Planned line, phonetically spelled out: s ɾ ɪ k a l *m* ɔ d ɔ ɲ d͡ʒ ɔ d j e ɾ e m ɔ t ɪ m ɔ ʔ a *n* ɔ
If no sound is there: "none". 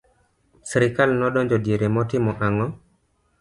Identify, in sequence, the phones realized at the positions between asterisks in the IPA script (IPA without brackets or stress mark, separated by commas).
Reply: n, ŋ